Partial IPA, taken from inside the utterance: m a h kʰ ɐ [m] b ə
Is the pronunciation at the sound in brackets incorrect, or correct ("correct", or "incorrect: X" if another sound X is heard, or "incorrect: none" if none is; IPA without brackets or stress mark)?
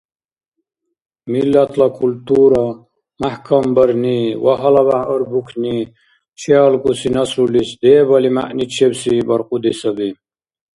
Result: correct